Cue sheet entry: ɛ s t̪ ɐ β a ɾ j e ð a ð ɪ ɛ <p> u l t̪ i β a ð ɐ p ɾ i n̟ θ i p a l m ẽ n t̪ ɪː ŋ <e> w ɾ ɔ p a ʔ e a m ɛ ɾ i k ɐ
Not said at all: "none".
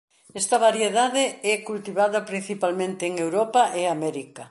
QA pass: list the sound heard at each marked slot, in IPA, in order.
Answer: k, e

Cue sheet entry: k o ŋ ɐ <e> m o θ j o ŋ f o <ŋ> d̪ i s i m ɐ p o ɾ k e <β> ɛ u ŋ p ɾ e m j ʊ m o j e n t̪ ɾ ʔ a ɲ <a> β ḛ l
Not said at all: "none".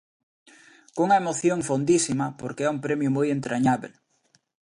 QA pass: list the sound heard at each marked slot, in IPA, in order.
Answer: e, n, none, a

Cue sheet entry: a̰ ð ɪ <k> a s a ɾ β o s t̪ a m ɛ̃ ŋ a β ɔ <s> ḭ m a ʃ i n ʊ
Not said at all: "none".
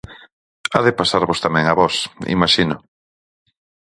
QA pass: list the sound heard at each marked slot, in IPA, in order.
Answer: p, s

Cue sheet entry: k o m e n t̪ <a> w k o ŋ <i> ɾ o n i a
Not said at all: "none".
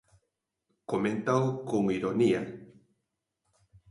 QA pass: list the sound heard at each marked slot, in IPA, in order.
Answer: a, i

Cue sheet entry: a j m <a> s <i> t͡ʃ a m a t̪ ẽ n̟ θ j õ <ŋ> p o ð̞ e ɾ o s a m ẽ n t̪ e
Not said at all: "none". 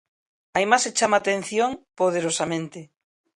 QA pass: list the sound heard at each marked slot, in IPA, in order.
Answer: a, e, ŋ

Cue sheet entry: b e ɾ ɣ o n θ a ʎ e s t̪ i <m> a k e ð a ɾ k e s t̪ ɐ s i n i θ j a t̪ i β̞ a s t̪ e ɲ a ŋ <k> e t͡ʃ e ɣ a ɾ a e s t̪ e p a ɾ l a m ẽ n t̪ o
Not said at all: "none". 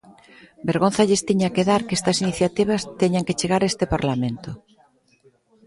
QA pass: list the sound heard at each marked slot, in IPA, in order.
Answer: ɲ, k

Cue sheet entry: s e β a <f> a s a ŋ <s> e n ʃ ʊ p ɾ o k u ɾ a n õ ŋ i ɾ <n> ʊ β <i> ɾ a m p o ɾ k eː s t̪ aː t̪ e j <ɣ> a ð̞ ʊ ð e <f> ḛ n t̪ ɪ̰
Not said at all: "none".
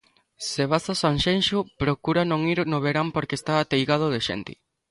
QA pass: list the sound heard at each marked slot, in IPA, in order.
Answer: s, ʃ, n, e, ɣ, ʃ

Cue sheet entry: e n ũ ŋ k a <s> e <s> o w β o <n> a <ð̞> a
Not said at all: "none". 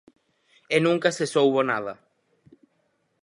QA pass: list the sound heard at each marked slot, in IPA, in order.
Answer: s, s, n, ð̞

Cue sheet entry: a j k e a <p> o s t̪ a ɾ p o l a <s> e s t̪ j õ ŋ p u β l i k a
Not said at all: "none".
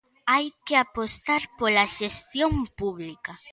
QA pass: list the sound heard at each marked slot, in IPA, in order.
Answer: p, ʃ

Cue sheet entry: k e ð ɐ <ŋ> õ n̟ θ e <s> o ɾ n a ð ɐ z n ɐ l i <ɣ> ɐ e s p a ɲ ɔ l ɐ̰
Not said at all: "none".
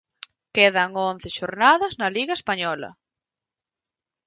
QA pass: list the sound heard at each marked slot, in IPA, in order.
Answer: ŋ, ʃ, ɣ

